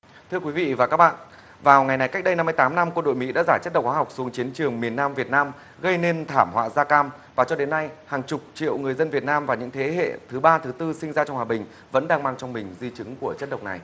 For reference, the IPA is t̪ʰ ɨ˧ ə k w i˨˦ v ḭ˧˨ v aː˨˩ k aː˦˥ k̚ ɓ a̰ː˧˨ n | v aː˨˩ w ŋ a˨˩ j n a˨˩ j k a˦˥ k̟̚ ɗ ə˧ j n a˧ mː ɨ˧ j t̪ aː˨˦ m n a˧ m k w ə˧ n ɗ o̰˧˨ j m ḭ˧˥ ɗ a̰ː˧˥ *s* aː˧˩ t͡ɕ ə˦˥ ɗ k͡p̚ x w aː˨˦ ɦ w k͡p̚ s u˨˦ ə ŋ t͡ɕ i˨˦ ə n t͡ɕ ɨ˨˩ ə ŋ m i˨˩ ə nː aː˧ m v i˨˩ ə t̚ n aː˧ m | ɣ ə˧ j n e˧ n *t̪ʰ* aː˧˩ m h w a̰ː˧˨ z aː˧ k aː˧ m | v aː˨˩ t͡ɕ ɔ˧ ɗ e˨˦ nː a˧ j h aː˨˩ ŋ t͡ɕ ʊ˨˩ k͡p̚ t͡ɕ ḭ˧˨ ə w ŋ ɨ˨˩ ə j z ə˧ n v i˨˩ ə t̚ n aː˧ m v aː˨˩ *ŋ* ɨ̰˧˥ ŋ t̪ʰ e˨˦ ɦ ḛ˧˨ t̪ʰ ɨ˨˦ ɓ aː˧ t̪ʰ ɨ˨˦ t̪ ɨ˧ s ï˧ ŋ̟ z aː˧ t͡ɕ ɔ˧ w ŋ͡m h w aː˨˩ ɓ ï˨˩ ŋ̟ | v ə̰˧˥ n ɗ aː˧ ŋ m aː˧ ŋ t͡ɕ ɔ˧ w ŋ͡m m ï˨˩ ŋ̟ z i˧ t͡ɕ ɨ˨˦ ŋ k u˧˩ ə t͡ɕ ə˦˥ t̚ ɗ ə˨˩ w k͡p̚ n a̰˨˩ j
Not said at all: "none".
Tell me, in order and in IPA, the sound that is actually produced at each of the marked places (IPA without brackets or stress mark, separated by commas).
z, t̪ʰ, ɲ